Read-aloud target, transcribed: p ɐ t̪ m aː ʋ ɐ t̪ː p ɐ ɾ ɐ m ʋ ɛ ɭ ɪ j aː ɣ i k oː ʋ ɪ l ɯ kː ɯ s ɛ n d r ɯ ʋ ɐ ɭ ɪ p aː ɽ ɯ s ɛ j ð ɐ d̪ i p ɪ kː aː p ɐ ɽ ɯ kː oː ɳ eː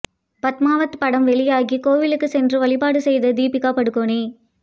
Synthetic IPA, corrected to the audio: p ɐ t̪ m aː ʋ ɐ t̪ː p ɐ ɽ ɐ m ʋ ɛ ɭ ɪ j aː ɣ i k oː ʋ ɪ l ɯ kː ɯ s ɛ n d r ɯ ʋ ɐ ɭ ɪ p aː ɽ ɯ s ɛ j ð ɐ d̪ iː p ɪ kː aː p ɐ ɽ ɯ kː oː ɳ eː